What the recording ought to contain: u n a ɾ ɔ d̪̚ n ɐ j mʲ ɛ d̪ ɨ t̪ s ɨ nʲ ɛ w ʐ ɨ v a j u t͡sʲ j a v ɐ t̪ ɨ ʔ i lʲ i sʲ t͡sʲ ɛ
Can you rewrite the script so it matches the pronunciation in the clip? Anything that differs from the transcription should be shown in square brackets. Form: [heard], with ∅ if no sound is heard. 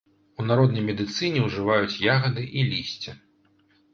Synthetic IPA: u n a ɾ ɔ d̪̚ n ɐ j mʲ ɛ d̪ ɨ t̪ s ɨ nʲ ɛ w ʐ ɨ v a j u t͡sʲ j a [ɣ] ɐ [d̪] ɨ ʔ i lʲ i sʲ t͡sʲ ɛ